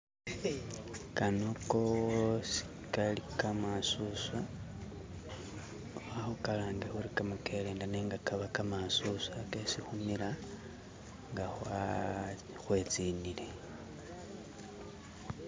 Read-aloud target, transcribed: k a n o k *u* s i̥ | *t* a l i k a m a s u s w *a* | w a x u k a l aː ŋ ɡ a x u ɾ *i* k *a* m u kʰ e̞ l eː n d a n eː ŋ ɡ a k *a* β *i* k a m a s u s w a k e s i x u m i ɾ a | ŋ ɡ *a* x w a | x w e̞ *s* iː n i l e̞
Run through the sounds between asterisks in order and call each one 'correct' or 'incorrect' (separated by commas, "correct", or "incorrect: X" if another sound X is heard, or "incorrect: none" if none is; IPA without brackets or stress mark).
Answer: incorrect: o, incorrect: k, correct, correct, correct, correct, incorrect: a, correct, incorrect: t͡s